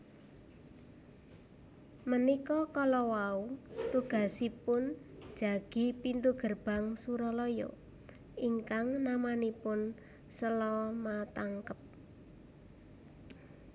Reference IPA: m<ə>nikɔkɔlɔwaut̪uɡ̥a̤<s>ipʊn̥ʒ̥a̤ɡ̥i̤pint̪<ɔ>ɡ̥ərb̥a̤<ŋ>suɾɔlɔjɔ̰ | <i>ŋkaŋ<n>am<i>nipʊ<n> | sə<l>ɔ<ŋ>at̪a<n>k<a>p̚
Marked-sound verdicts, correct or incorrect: correct, correct, incorrect, correct, correct, correct, incorrect, correct, correct, incorrect, incorrect, incorrect

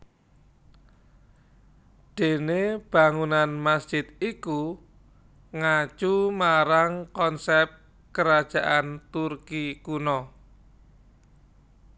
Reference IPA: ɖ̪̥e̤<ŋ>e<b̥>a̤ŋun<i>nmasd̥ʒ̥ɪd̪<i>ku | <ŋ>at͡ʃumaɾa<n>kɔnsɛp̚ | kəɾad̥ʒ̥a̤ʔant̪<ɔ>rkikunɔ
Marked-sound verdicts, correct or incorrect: incorrect, correct, incorrect, correct, correct, incorrect, incorrect

